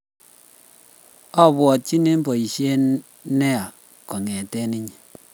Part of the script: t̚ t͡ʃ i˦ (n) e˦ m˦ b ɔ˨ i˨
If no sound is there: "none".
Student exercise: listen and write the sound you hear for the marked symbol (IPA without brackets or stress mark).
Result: n